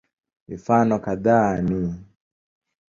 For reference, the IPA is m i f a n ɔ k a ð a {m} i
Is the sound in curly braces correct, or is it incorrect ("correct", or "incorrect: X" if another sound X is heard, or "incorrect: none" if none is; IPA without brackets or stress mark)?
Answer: incorrect: n